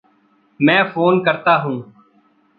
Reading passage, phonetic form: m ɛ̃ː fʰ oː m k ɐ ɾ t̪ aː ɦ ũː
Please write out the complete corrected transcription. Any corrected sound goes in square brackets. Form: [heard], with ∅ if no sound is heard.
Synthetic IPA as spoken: m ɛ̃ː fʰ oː [n] k [ə] ɾ t̪ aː ɦ ũː